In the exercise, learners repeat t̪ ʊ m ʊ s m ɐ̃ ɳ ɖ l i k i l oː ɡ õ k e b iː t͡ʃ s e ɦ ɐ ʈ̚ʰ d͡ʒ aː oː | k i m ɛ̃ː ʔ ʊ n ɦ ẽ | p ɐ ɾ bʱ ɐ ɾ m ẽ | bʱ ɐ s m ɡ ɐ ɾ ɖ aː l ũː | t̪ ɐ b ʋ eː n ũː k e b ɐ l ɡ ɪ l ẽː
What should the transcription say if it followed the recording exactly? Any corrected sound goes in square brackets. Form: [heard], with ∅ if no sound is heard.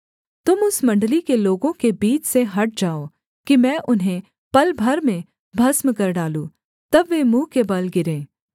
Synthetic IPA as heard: t̪ ʊ m ʊ s m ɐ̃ ɳ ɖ l i k [e] l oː ɡ õ k e b iː t͡ʃ s e ɦ ɐ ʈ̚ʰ d͡ʒ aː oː | k i m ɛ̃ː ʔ ʊ n ɦ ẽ | p ɐ [l] bʱ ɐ ɾ m ẽ | bʱ ɐ s m [k] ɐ ɾ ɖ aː l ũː | t̪ ɐ b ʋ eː [m] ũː k e b ɐ l ɡ ɪ [ɾ] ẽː